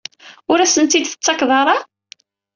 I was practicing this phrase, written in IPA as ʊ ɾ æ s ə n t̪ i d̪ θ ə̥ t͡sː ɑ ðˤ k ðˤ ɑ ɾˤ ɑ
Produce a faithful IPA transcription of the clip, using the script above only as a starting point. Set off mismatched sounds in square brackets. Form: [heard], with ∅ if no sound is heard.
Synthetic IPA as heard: ʊ ɾ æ s ə n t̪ i d̪ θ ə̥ t͡sː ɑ [∅] k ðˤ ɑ ɾˤ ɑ

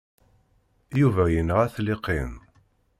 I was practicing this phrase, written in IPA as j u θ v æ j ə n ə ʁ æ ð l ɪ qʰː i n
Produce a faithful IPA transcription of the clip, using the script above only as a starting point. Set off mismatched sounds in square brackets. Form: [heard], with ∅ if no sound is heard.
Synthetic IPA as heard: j u [∅] v æ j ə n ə ʁ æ [θ] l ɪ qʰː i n

